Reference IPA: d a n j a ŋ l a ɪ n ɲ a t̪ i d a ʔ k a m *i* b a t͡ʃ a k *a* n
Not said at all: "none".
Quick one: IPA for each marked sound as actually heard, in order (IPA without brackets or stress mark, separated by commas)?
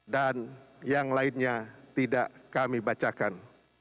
i, a